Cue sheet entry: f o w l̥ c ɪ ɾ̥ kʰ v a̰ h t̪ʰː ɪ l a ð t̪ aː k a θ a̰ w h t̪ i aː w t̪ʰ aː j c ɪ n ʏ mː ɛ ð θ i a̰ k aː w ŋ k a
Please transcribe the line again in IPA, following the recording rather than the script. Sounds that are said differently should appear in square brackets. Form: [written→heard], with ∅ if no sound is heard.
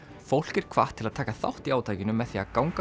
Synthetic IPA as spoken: f o w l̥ c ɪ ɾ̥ kʰ v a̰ h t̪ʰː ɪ l a ð [t̪→t̪ʰ] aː k a θ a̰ w h t̪ i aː w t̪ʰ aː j c ɪ n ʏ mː ɛ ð θ i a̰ k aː w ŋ k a